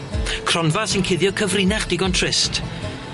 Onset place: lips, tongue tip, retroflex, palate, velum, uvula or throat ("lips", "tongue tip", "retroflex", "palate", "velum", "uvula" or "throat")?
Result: velum